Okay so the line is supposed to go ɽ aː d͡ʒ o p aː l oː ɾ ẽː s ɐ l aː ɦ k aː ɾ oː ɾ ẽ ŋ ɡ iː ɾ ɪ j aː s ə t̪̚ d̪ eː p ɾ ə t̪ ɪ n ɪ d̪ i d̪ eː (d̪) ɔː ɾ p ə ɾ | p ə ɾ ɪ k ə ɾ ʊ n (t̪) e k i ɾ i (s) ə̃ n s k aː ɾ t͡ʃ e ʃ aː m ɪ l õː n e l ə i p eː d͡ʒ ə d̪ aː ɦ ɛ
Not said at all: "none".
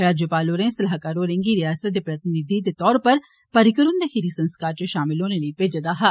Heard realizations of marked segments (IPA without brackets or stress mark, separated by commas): t̪, d̪, s